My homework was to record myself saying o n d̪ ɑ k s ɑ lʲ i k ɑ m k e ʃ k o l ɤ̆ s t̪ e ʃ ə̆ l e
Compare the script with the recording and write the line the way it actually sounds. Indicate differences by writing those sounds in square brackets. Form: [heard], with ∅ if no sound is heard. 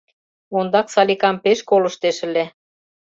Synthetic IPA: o n d̪ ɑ k s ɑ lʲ i k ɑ m [p] e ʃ k o l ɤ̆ [ʃ] t̪ e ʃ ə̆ l e